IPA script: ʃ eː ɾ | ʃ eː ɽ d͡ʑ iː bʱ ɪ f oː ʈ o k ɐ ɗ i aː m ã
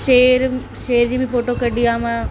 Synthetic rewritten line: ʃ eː ɾ | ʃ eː ɾ d͡ʑ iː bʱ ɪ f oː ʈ o k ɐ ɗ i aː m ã

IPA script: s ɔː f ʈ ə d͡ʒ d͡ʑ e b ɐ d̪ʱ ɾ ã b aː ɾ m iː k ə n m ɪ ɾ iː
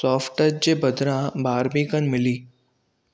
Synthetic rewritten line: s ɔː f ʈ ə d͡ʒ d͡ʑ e b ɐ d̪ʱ ɾ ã b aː ɾ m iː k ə n m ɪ l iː

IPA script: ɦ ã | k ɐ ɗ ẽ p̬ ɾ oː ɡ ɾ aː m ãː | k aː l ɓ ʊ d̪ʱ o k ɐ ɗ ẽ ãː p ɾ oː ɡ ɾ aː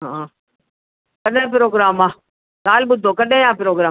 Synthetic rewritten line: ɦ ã | k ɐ ɗ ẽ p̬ ɾ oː ɡ ɾ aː m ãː | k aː l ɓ ʊ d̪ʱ o k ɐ ɗ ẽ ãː p ɾ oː ɡ ɾ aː

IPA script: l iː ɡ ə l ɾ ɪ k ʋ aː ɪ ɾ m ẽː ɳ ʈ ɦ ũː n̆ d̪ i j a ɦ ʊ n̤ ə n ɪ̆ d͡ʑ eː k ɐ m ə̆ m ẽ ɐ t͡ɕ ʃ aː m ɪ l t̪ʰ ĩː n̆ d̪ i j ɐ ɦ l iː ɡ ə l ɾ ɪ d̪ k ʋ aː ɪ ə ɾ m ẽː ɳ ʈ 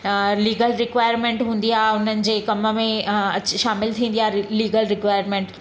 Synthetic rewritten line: l iː ɡ ə l ɾ ɪ k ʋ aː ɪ ɾ m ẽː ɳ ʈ ɦ ũː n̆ d̪ i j a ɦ ʊ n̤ ə n ɪ̆ d͡ʑ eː k ɐ m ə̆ m ẽ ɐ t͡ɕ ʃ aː m ɪ l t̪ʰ ĩː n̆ d̪ i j a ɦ l iː ɡ ə l ɾ ɪ k ʋ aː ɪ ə ɾ m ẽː ɳ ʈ

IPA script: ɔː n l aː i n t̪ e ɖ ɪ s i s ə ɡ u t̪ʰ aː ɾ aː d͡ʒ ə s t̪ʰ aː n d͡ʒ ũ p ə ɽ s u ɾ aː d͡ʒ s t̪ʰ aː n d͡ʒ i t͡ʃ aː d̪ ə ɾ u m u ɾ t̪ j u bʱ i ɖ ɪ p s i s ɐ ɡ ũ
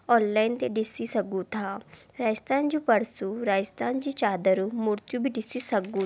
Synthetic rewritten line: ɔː n l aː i n t̪ e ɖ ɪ s i s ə ɡ u t̪ʰ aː ɾ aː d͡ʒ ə s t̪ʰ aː n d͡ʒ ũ p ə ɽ s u ɾ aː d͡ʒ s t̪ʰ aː n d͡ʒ i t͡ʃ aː d̪ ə ɾ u m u ɾ t̪ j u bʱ i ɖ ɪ s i s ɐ ɡ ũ

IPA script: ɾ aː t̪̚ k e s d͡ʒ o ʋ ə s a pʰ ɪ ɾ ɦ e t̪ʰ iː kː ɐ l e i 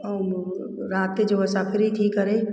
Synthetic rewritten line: ɾ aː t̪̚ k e d͡ʒ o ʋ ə s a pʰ ɪ ɾ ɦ i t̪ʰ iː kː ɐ ɾ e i

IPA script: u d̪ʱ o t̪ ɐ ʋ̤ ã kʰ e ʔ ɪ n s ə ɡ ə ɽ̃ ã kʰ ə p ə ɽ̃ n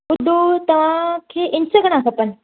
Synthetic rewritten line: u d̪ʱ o t̪ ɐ ʋ̤ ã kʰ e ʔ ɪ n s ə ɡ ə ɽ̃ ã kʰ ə p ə n

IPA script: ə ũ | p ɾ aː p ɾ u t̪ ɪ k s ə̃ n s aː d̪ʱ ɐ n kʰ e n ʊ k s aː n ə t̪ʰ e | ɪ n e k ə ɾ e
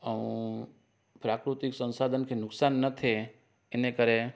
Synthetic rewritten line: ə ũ | p ɾ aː k ɾ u t̪ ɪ k s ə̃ n s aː d̪ʱ ə n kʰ e n ʊ k s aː nː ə t̪ʰ e | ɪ n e k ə ɾ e

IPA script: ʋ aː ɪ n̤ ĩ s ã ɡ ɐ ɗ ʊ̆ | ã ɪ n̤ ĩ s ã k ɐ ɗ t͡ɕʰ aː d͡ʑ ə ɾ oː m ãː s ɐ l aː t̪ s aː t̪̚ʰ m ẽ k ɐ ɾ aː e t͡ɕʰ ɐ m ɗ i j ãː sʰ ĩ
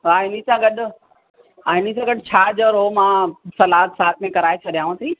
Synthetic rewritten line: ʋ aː ɪ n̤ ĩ s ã ɡ ɐ ɗ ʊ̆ | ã ɪ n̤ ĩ s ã ɡ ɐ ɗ t͡ɕʰ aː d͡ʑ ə ɾ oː m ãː s ɐ l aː t̪ s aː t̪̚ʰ m ẽ k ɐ ɾ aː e t͡ɕʰ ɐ ɗ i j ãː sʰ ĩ

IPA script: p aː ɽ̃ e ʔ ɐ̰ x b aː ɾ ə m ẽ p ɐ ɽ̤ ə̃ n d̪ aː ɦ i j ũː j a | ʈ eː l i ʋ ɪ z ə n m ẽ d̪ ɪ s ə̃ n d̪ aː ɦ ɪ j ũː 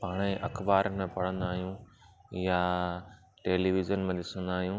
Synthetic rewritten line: p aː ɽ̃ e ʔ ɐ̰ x b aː ɾ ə m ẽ p ɐ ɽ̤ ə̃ n d̪ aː ɦ i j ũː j a | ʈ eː l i ʋ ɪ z ə n m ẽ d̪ ɪ s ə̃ n d̪ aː ɦ i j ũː

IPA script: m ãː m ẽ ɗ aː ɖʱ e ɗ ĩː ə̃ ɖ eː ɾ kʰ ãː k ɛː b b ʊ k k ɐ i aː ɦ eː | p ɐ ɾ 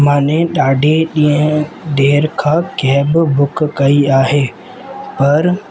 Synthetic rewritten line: m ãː n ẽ ɗ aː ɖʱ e ɗ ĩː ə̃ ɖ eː ɾ kʰ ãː k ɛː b b ʊ k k ɐ i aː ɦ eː | p ɐ ɾ

